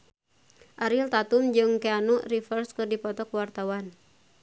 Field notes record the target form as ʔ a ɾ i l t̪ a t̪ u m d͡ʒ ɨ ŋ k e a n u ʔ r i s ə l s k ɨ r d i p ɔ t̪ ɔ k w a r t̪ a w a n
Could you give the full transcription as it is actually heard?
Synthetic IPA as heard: ʔ a ɾ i l t̪ a t̪ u m d͡ʒ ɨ ŋ k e a n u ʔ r i f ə r s k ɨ r d i p ɔ t̪ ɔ k w a r t̪ a w a n